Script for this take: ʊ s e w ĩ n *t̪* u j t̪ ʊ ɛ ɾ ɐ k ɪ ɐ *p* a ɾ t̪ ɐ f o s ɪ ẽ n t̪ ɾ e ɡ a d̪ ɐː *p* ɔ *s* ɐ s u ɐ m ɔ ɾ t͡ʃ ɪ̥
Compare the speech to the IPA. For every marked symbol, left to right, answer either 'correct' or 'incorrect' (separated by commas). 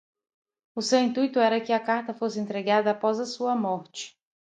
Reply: correct, incorrect, correct, incorrect